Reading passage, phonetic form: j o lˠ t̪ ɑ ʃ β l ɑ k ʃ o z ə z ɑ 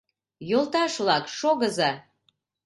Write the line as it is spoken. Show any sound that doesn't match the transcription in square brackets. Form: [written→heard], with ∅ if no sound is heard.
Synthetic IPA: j o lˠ t̪ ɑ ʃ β l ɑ k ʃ o [z→ɣ] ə z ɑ